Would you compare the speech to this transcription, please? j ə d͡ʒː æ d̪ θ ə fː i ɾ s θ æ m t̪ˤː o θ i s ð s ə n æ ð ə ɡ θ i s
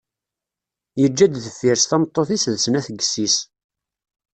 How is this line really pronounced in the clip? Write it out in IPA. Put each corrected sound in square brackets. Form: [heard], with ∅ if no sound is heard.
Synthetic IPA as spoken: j ə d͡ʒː æ d̪ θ ə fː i ɾ s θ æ m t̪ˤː o θ i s ð s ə n æ [θ] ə ɡ [s] i s